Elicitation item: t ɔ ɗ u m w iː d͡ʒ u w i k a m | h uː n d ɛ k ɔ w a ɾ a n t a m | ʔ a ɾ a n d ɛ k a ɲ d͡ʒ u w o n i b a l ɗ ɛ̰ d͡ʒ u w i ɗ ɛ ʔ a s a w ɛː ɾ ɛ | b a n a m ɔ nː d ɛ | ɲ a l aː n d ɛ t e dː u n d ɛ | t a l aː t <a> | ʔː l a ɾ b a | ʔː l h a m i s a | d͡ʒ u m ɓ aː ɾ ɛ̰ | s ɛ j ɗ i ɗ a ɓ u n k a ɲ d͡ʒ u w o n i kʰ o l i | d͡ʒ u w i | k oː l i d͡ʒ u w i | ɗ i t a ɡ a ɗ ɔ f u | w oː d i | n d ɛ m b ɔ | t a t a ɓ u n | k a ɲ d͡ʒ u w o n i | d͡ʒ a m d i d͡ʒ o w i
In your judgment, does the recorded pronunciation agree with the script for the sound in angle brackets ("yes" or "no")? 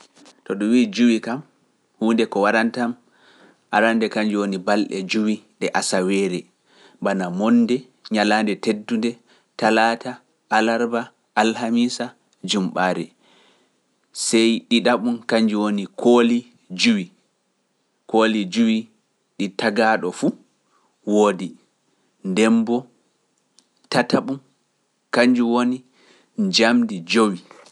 yes